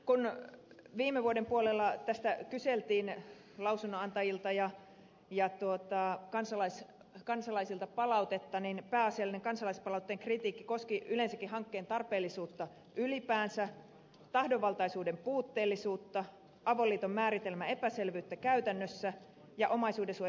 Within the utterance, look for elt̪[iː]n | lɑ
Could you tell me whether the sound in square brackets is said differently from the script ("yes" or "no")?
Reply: no